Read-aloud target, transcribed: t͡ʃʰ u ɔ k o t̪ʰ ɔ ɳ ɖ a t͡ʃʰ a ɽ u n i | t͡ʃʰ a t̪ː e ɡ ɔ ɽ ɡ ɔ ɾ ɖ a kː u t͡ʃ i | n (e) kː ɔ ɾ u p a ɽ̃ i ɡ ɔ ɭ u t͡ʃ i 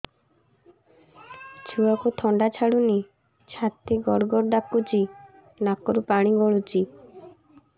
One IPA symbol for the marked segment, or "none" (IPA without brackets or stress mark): a